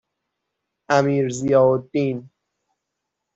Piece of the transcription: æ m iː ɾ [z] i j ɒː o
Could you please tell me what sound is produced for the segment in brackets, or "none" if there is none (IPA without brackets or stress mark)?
z